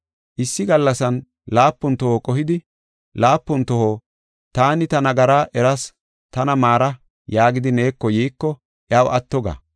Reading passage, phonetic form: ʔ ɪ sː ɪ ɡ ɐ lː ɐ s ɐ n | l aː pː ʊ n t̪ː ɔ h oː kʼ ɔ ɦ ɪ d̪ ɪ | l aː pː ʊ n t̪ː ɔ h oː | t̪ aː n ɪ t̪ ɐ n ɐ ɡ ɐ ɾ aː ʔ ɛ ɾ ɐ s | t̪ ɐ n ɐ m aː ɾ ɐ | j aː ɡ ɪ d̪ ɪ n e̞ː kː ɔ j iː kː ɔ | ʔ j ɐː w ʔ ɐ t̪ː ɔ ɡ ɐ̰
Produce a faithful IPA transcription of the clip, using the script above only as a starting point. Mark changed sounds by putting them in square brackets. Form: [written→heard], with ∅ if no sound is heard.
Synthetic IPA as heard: ʔ ɪ sː ɪ ɡ ɐ lː ɐ s ɐ n | l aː pː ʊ n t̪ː ɔ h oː kʼ ɔ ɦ ɪ d̪ ɪ | l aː pː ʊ n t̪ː ɔ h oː | t̪ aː n ɪ t̪ ɐ n ɐ ɡ ɐ ɾ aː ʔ ɛ ɾ ɐ s | t̪ ɐ n ɐ m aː ɾ ɐ | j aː ɡ ɪ d̪ ɪ n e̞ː kː ɔ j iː kː ɔ | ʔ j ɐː w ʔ ɐ t̪ː ɔ ɡ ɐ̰